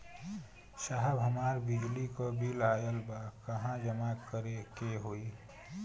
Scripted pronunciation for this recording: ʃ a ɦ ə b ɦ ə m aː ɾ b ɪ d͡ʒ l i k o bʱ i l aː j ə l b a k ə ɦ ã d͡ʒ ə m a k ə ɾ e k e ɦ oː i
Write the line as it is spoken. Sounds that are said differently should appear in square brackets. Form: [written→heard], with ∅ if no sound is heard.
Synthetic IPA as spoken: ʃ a ɦ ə b ɦ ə m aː ɾ b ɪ d͡ʒ l i k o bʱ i l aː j ə l b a k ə ɦ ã d͡ʒ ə m a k ə ɾ e k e ɦ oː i